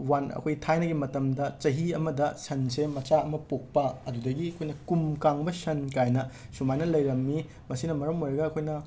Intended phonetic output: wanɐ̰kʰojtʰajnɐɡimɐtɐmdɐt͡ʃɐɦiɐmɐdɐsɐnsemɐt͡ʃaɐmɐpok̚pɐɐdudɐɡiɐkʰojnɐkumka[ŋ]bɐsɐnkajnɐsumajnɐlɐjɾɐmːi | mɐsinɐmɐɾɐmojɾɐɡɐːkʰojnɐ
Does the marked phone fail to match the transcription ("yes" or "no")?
no